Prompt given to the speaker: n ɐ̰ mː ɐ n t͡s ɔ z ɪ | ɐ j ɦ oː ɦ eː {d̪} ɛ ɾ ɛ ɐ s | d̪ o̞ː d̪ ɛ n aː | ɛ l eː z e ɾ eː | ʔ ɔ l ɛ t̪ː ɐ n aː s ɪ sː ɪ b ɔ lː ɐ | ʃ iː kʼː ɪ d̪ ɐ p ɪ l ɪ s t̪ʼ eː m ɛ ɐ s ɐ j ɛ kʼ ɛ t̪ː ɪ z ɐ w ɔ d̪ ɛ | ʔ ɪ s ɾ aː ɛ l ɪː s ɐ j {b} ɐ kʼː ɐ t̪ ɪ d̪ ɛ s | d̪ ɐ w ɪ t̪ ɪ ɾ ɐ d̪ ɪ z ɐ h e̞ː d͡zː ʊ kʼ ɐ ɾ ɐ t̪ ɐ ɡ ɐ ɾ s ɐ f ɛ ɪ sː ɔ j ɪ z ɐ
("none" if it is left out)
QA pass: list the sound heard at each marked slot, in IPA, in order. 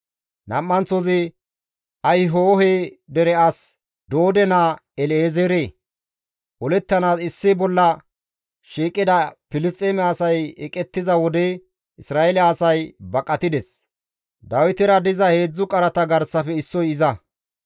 d̪, b

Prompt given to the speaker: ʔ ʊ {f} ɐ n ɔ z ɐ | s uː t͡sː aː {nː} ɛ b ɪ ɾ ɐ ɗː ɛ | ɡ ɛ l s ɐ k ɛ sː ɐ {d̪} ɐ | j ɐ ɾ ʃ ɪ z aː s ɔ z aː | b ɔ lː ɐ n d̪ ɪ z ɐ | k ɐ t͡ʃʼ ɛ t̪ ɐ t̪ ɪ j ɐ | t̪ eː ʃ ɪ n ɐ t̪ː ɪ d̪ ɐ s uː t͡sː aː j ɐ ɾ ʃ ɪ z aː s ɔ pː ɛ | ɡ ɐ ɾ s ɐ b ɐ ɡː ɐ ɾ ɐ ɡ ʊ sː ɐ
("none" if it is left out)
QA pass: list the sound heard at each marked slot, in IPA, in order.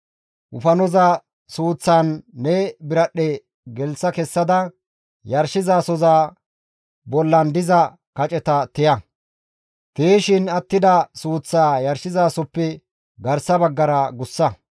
f, nː, d̪

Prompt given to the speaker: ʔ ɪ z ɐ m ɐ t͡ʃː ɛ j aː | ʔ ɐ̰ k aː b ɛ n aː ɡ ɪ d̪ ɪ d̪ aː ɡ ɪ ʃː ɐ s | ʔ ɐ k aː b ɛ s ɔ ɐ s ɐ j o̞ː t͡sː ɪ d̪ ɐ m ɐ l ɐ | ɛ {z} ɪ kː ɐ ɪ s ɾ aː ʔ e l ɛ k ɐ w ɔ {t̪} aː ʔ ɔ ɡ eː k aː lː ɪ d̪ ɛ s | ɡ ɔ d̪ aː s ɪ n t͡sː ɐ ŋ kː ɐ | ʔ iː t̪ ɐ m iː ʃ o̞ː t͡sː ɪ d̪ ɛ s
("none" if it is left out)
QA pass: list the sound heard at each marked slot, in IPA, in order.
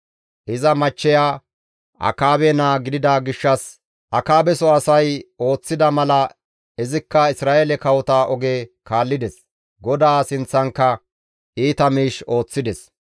z, t̪

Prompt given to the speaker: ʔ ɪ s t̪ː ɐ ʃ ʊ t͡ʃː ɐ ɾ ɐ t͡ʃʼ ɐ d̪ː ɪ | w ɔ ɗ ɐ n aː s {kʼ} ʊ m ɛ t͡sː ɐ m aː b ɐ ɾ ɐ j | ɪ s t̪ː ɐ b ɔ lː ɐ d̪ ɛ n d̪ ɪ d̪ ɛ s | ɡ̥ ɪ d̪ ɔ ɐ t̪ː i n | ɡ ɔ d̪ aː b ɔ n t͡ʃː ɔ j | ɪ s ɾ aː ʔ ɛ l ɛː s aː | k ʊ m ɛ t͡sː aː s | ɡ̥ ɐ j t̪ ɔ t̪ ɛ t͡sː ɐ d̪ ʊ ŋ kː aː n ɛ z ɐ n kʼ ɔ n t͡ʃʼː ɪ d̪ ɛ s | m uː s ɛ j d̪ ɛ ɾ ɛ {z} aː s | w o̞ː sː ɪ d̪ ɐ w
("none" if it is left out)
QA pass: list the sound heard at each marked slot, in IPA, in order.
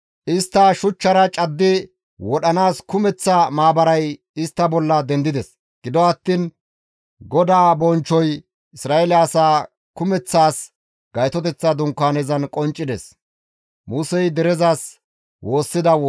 k, z

